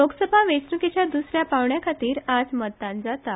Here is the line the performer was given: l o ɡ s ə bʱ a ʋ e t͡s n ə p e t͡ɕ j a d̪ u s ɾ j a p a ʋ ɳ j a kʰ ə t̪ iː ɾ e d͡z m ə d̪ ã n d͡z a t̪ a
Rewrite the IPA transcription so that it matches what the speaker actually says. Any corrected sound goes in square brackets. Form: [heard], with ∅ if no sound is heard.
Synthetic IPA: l o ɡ s ə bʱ a ʋ e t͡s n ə [k] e t͡ɕ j a d̪ u s ɾ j a p a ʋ ɳ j a kʰ [a] t̪ iː ɾ [a] d͡z m ə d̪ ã n d͡z a t̪ a